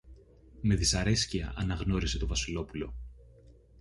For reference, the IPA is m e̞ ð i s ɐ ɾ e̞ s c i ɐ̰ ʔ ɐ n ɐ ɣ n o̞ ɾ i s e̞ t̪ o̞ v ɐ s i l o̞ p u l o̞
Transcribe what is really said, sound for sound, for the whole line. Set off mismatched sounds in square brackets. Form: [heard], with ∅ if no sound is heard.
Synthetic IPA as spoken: m e̞ ð i s ɐ ɾ e̞ s c i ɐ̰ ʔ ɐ n ɐ ɣ n o̞ ɾ i s e̞ t̪ o̞ v ɐ s i l o̞ p u l o̞

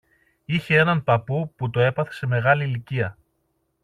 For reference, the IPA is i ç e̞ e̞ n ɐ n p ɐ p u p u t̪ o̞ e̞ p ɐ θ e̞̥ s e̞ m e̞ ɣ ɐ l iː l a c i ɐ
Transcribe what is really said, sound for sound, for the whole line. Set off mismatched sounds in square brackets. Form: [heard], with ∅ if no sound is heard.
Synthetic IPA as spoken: i ç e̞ e̞ n ɐ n p ɐ p u p u t̪ o̞ e̞ p ɐ θ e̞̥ s e̞ m e̞ ɣ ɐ l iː l [i] c i ɐ

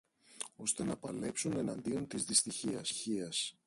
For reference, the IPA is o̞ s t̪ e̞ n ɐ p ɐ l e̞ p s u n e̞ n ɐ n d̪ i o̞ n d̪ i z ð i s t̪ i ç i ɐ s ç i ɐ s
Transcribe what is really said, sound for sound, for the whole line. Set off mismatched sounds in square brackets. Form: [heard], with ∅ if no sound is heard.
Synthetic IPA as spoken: o̞ s t̪ e̞ n ɐ p ɐ l e̞ p s u n e̞ n ɐ n d̪ i o̞ n [t̪] i z ð i s t̪ i ç i ɐ s ç i ɐ s

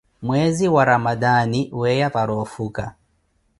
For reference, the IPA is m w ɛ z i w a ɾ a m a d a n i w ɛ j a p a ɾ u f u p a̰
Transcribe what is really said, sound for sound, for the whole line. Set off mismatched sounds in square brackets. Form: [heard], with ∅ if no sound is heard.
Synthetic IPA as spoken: m w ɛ z i w a ɾ a m a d a n i w ɛ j a p a ɾ [ɔ] f u [k] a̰

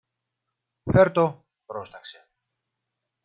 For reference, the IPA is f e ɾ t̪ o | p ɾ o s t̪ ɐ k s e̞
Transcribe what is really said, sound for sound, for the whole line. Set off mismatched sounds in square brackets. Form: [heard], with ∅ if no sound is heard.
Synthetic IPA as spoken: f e ɾ t̪ o | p ɾ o s t̪ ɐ k s e̞

